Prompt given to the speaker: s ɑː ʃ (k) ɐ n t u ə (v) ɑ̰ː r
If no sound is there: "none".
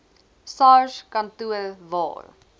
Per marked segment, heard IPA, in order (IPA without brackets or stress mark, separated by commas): k, v